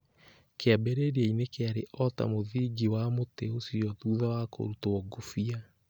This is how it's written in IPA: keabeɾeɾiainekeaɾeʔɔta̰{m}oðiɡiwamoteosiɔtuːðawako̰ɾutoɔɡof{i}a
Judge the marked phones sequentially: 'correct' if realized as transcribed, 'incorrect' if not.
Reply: correct, correct

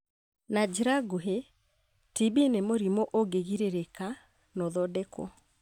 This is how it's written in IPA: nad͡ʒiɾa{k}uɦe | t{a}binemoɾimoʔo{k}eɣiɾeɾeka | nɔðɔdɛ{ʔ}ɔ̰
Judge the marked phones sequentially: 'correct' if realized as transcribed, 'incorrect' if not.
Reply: incorrect: ɡ, incorrect: i, incorrect: ɡ, incorrect: k

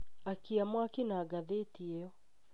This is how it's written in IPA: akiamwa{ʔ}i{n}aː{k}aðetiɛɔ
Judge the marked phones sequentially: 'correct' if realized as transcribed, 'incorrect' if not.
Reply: incorrect: k, correct, incorrect: ɡ

